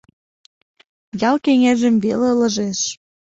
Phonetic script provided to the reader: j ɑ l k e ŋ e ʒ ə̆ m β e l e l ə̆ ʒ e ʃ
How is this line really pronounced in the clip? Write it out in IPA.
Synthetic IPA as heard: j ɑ l k e ŋ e ʒ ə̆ m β e l e l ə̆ ʒ e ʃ